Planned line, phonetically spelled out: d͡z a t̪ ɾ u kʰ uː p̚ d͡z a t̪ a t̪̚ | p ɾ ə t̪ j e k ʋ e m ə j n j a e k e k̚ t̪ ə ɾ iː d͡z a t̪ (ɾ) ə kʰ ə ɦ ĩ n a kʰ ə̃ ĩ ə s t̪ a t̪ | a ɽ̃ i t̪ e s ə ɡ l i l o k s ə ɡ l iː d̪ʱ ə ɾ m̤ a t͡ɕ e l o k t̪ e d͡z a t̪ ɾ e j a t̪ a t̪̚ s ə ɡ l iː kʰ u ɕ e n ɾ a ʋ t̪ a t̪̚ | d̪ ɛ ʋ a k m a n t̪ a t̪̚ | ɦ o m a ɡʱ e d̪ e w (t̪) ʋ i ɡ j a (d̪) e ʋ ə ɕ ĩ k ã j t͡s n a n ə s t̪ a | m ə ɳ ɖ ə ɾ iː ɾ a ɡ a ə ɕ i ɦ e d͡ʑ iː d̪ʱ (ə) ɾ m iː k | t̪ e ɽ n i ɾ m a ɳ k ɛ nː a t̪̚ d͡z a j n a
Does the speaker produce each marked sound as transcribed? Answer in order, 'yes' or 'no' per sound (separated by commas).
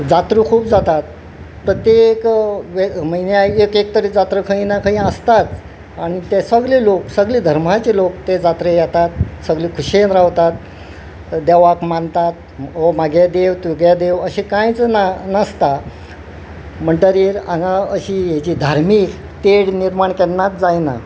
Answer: yes, yes, yes, no